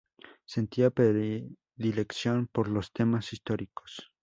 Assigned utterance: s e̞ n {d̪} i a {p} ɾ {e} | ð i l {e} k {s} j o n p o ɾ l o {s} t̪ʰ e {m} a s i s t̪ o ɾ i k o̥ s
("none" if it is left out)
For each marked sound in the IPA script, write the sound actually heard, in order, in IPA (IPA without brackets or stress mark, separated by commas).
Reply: t̪, p, e, e, s, s, m